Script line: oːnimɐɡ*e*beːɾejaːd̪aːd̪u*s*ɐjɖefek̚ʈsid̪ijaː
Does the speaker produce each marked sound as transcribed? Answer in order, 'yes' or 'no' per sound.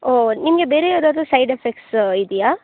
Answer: yes, yes

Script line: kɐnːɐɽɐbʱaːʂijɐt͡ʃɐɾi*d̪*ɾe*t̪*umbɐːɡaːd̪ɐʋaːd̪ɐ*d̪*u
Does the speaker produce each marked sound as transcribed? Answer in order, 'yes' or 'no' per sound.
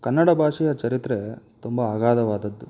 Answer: no, yes, no

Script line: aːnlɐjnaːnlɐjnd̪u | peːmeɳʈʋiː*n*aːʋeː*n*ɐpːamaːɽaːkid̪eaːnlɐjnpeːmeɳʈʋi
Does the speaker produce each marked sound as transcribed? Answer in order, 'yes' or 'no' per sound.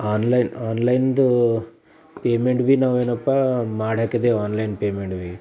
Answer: yes, yes

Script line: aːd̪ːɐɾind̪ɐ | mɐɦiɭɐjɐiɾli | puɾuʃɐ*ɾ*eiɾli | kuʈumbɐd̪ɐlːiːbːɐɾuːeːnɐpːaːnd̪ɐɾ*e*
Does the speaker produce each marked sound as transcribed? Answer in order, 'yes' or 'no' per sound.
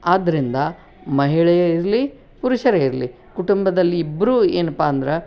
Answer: yes, yes

